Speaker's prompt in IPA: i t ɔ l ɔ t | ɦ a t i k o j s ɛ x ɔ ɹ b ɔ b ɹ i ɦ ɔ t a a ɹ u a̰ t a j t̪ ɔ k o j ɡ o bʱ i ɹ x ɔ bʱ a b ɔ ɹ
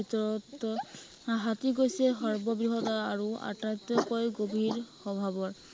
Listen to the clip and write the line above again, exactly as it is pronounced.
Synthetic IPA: i t ɔ ɹ ɔ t | ɦ a t i ɡ o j s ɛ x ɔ ɹ b ɔ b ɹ i ɦ ɔ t a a ɹ u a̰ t a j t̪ ɔ k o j ɡ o bʱ i ɹ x ɔ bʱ a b ɔ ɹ